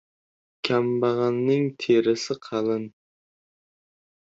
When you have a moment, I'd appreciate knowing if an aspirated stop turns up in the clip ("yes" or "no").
yes